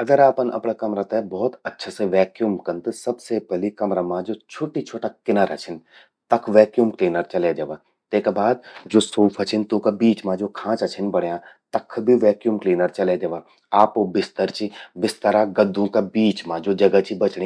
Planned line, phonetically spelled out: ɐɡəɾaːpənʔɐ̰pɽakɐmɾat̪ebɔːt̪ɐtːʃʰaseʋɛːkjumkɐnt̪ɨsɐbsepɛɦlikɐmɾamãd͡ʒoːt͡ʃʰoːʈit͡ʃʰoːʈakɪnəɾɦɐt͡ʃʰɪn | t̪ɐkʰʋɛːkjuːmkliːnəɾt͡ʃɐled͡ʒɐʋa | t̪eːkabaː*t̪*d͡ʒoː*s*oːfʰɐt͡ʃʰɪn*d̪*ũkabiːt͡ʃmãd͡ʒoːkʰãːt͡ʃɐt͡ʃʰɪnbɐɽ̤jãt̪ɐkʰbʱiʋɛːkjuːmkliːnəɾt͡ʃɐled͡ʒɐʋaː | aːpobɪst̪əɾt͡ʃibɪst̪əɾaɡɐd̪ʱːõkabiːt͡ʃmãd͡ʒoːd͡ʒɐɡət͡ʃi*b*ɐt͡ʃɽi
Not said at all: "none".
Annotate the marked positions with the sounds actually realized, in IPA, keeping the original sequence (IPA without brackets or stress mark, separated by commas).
d̪, s, t̪, b